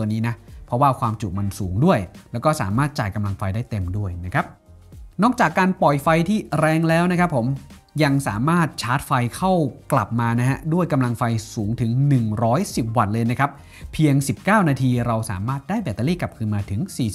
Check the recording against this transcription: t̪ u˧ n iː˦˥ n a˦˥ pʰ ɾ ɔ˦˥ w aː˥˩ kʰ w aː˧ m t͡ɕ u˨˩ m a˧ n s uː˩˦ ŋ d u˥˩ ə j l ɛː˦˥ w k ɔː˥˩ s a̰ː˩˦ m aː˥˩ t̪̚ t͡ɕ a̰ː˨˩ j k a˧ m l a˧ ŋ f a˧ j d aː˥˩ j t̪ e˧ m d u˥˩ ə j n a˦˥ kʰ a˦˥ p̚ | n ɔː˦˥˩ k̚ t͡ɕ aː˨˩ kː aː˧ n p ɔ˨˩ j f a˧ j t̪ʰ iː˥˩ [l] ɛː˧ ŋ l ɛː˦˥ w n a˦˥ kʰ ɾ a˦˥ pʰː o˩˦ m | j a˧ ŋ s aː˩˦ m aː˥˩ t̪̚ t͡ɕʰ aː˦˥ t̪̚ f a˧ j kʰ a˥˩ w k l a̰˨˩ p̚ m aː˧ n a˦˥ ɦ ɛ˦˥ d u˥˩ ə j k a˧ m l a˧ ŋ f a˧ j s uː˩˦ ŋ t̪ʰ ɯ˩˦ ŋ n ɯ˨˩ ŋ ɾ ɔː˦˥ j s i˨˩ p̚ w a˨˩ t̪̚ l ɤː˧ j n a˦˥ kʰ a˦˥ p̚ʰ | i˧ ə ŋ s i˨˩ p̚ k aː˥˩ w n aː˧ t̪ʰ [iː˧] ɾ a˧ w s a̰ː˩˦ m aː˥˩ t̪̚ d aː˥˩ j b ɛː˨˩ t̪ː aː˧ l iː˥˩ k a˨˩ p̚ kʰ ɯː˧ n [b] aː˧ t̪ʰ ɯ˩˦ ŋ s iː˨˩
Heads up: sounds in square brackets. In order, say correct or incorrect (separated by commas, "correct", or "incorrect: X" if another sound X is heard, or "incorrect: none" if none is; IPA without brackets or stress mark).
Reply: incorrect: ɾ, correct, incorrect: m